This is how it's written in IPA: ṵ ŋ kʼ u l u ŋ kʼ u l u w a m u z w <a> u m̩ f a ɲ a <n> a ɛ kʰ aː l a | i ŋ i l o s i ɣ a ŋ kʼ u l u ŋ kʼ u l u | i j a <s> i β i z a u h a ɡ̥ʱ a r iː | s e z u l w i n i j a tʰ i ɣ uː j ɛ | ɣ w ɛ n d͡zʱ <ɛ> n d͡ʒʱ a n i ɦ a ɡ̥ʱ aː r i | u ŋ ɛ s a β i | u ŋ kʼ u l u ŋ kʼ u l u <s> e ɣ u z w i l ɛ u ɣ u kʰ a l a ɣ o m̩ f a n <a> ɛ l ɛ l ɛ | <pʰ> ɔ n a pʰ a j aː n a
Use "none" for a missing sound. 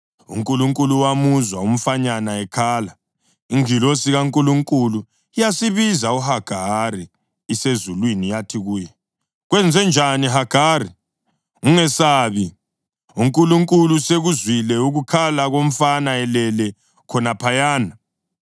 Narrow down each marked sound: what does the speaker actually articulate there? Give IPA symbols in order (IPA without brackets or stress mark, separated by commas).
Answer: a, n, s, ɛ, s, a, kʰ